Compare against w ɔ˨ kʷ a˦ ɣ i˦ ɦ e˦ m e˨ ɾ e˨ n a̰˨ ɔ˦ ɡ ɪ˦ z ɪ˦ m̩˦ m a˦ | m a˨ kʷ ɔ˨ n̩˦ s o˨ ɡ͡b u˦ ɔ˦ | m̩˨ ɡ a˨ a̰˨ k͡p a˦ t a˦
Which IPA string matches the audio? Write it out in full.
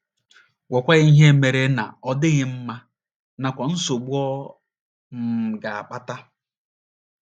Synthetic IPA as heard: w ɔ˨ kʷ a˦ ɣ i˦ ɦ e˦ m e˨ ɾ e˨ n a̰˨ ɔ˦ d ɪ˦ ɣ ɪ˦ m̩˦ m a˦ | n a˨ kʷ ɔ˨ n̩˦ s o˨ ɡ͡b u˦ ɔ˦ | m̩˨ ɡ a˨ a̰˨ k͡p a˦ t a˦